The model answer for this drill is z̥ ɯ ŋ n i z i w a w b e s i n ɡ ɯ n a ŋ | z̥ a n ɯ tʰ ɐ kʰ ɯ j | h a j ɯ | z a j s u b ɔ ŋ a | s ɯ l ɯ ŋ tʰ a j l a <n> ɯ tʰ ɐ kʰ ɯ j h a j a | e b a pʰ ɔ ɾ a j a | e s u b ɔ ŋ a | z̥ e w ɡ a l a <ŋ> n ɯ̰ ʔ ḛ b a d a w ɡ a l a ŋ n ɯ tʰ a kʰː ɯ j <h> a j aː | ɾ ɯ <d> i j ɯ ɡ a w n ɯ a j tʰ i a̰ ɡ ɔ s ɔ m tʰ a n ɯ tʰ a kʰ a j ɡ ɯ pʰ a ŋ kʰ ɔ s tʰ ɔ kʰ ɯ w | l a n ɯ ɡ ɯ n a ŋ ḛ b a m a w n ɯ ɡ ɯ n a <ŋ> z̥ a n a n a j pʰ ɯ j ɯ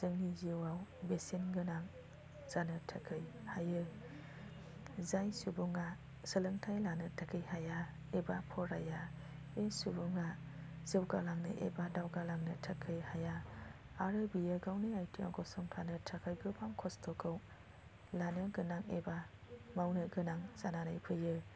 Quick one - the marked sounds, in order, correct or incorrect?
correct, correct, correct, incorrect: b, correct

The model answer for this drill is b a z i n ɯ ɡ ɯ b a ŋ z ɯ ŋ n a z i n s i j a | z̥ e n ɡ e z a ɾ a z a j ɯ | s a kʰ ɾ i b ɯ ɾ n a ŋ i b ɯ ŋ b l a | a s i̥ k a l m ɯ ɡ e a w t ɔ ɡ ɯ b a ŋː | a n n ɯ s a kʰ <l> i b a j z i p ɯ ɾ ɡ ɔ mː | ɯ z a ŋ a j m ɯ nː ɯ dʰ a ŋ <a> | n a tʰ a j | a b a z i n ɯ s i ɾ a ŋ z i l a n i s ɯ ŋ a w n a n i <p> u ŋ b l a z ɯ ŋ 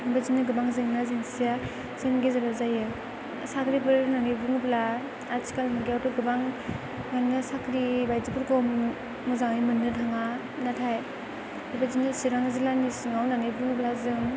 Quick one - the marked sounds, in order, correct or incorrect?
incorrect: ɾ, correct, incorrect: b

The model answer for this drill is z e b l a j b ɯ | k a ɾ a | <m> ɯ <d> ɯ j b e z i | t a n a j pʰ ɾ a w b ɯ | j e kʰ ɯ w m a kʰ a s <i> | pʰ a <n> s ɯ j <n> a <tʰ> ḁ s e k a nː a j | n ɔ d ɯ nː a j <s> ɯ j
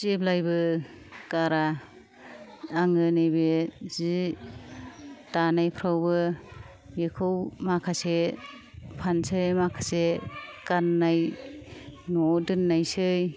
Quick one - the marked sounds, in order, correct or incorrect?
incorrect: ŋ, incorrect: n, incorrect: e, correct, incorrect: m, incorrect: kʰ, correct

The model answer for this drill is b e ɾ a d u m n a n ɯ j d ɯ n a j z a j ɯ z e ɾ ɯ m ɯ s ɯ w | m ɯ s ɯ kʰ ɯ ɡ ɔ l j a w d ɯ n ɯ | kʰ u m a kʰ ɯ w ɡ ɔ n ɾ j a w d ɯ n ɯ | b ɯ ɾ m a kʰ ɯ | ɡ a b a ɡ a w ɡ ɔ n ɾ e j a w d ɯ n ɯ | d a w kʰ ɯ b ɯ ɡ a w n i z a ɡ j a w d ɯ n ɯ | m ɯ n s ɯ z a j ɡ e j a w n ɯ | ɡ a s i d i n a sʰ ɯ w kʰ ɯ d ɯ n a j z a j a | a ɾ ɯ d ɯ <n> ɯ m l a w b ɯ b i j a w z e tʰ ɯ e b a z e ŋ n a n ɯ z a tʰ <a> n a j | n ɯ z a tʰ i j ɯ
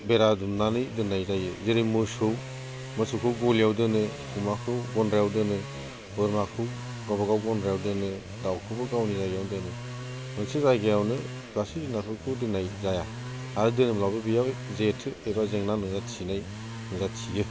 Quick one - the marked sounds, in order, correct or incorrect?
correct, incorrect: i

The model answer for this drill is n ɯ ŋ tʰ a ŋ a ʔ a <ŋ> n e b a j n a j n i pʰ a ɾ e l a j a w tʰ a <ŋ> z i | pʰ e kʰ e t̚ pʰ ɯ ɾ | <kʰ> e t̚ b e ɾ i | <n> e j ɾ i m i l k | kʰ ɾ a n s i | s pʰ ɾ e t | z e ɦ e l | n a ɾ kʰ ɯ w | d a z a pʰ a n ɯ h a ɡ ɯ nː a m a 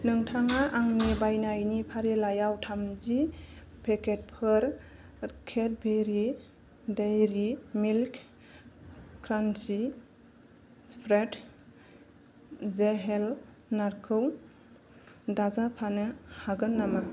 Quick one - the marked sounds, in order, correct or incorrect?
correct, incorrect: m, correct, incorrect: d

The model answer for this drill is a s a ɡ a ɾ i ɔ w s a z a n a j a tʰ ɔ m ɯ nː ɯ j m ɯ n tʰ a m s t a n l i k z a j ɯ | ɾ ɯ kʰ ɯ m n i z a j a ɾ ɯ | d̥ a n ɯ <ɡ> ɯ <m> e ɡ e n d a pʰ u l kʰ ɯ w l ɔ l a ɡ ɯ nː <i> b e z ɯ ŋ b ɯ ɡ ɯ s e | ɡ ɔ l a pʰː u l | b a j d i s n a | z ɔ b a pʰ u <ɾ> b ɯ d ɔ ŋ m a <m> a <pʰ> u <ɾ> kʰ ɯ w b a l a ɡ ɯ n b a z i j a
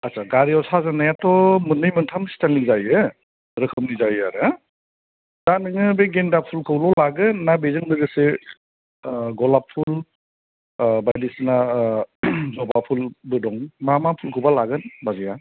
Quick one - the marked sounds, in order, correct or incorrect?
incorrect: ŋ, incorrect: b, incorrect: a, incorrect: l, correct, correct, incorrect: l

